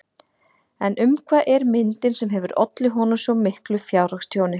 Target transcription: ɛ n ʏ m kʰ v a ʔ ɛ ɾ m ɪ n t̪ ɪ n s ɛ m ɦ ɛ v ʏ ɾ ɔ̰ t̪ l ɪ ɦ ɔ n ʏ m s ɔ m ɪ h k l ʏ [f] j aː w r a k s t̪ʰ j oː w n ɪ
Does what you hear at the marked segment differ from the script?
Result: no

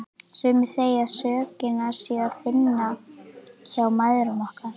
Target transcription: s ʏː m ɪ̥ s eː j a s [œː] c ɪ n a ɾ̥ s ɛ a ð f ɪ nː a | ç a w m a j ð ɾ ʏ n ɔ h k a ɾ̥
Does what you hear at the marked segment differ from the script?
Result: no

